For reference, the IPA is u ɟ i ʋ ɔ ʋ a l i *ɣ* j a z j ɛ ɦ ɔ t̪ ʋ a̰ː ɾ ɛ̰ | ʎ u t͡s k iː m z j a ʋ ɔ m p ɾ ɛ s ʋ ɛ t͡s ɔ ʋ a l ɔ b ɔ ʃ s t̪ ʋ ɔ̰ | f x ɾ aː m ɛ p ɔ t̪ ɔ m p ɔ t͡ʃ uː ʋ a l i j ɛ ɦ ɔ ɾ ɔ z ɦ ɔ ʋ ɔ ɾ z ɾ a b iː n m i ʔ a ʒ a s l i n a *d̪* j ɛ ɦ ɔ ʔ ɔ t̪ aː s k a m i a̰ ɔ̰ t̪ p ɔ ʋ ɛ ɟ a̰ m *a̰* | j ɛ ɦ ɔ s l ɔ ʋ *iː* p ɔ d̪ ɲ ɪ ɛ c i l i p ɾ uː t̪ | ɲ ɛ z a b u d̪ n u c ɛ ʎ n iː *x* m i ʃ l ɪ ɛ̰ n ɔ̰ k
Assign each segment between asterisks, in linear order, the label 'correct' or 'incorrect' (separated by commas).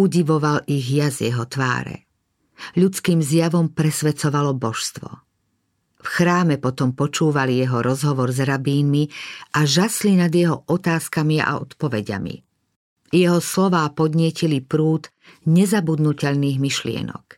correct, correct, incorrect, incorrect, incorrect